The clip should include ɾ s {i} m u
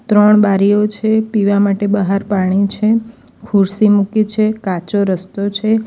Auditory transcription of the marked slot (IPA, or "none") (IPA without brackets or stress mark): i